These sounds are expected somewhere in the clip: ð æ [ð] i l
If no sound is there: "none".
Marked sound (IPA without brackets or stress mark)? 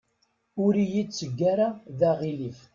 ʁ